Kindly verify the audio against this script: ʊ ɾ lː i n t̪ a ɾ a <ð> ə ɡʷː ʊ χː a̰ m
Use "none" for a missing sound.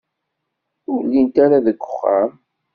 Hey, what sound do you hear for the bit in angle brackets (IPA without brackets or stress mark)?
ð